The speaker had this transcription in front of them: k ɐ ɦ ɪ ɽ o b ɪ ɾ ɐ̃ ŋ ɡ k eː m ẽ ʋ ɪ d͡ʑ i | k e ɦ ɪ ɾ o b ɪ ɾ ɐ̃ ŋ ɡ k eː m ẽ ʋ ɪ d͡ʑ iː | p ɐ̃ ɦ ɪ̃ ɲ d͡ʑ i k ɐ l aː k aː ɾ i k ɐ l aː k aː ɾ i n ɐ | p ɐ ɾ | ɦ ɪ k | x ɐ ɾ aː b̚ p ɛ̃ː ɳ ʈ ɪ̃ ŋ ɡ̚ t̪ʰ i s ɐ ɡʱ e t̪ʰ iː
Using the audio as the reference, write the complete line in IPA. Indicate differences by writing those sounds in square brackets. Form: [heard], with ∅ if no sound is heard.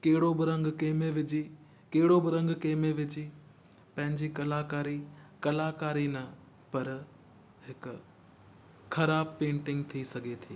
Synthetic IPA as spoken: k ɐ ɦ ɪ ɽ o b ɪ ɾ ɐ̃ ŋ ɡ k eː m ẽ ʋ ɪ d͡ʑ i | k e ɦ ɪ [ɽ] o b ɪ ɾ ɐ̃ ŋ ɡ k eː m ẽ ʋ ɪ d͡ʑ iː | p ɐ̃ ɦ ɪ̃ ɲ d͡ʑ i k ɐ l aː k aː ɾ i k ɐ l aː k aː ɾ i n ɐ | p ɐ ɾ | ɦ ɪ k | x ɐ ɾ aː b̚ p [ẽː] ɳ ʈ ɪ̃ ŋ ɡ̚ t̪ʰ i s ɐ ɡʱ e t̪ʰ iː